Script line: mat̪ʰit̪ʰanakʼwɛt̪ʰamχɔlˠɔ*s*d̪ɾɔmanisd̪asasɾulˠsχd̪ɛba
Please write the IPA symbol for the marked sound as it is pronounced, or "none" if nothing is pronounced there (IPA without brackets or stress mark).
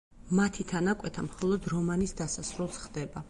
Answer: none